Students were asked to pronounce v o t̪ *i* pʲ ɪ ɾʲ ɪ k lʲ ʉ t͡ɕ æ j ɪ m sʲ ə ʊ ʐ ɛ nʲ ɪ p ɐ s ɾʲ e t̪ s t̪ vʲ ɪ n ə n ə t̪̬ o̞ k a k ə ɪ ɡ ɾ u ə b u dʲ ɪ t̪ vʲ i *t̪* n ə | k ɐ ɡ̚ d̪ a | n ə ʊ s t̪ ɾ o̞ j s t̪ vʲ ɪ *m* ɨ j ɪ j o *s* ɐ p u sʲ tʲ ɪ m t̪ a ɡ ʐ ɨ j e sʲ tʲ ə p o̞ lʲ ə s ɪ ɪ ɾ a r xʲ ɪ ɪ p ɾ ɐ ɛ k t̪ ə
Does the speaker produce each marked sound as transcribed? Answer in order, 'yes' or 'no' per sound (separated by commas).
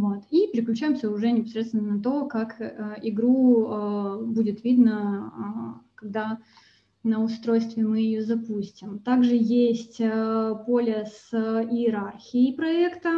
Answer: yes, no, yes, no